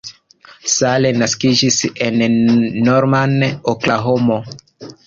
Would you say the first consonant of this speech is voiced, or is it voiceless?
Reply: voiceless